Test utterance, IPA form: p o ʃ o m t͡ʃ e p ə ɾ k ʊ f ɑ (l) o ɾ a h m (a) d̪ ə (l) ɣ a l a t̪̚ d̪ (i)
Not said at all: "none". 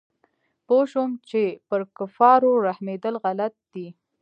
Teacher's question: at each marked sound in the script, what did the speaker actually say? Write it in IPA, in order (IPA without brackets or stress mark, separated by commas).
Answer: ɾ, e, l, i